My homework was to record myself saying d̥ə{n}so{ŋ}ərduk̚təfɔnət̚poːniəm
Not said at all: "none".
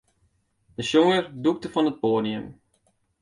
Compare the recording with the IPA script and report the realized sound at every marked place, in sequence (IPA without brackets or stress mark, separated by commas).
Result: none, ŋ